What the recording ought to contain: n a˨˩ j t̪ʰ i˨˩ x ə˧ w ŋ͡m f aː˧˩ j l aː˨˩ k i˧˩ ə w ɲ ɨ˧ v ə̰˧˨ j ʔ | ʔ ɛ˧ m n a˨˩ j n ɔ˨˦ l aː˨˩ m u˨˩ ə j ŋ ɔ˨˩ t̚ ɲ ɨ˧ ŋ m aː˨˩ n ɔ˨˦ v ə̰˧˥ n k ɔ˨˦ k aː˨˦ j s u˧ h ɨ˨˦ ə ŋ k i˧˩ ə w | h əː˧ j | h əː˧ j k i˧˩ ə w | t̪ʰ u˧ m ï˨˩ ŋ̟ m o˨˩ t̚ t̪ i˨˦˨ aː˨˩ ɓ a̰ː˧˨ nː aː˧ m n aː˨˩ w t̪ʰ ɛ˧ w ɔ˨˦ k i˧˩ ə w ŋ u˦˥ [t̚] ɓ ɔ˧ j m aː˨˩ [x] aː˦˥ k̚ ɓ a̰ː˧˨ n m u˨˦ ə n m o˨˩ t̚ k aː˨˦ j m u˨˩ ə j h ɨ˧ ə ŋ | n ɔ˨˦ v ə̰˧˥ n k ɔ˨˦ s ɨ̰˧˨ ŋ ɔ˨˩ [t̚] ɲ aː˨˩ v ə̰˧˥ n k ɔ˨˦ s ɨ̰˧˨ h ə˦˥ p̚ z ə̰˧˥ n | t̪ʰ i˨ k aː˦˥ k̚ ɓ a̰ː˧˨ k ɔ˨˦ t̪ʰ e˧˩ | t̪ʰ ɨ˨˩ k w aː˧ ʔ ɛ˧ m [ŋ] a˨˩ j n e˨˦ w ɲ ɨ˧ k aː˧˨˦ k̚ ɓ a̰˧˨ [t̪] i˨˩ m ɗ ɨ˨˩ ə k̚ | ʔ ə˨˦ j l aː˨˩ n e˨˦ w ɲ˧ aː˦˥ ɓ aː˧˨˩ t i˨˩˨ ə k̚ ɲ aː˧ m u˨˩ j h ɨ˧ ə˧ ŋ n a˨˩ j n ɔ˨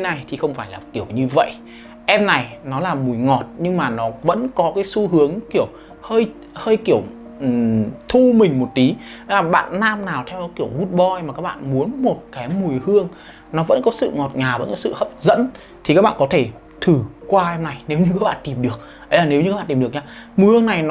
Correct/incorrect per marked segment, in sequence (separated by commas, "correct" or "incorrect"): correct, incorrect, correct, incorrect, correct